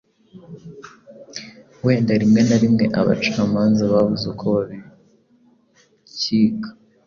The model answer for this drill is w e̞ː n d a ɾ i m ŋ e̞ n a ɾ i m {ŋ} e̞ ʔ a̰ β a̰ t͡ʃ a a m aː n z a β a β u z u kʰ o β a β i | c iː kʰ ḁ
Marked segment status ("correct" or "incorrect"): correct